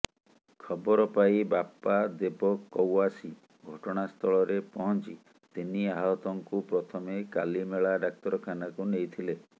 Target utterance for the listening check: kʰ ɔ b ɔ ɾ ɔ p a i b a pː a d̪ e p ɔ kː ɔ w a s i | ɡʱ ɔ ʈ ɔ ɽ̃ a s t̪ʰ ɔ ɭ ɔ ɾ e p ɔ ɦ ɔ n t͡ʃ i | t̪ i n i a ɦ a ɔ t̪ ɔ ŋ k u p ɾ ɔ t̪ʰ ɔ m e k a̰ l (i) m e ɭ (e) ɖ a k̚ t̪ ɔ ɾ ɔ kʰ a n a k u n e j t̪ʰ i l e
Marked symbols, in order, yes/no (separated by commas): yes, no